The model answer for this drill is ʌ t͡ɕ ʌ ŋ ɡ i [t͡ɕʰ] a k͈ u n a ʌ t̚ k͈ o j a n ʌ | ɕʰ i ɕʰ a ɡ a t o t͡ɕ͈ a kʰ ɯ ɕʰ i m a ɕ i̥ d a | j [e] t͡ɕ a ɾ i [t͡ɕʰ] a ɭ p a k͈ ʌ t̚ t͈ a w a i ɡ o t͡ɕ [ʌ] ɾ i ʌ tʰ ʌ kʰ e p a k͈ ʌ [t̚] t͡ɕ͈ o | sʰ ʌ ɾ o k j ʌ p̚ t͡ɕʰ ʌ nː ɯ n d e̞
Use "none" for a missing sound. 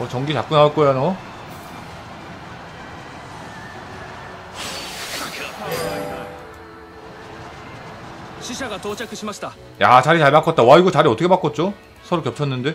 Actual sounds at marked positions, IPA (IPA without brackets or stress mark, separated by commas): t͡ɕ, a, t͡ɕ, a, t̚